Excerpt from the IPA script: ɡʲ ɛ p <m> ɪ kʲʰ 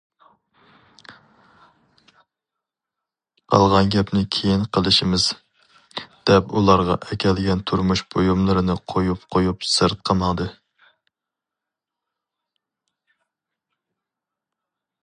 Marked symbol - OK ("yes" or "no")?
no